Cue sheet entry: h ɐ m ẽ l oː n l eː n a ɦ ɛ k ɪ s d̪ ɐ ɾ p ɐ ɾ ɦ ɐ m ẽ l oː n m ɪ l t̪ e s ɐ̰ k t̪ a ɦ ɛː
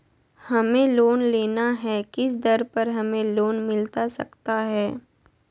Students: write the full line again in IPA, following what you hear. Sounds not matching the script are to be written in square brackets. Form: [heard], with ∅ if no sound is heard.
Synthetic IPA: h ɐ m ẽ l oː n l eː n a ɦ ɛ k ɪ s d̪ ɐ ɾ p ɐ ɾ ɦ ɐ m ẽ l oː n m ɪ l t̪ [a] s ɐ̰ k t̪ a ɦ ɛː